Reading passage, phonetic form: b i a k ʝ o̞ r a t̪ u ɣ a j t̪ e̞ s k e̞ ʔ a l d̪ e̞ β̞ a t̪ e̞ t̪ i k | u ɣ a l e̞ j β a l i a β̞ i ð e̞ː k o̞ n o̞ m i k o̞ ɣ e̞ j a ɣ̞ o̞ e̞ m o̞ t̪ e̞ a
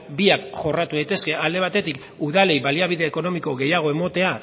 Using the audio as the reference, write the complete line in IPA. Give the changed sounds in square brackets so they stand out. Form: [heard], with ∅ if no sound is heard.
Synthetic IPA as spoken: b i a k ʝ o̞ r a t̪ u [ð] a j t̪ e̞ s k e̞ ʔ a l d̪ e̞ β̞ a t̪ e̞ t̪ i k | u [ð] a l e̞ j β a l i a β̞ i ð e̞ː k o̞ n o̞ m i k o̞ ɣ e̞ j a ɣ̞ o̞ e̞ m o̞ t̪ e̞ a